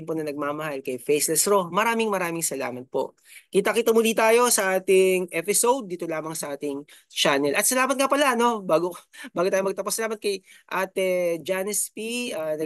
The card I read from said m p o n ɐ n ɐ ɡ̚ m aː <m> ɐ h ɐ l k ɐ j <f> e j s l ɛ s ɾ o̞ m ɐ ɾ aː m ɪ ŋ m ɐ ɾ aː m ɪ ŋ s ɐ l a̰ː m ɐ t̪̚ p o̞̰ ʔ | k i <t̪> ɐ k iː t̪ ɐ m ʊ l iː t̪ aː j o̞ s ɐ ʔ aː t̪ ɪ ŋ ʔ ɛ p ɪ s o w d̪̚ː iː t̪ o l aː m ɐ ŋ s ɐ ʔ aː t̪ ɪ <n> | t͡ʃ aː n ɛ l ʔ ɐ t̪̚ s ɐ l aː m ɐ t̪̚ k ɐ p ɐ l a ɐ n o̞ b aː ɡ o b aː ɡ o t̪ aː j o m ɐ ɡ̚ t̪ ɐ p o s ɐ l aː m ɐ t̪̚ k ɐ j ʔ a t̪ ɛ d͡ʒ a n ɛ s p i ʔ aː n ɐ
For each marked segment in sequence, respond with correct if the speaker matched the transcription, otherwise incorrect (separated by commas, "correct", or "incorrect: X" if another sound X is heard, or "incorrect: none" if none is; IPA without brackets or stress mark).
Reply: correct, correct, correct, incorrect: ŋ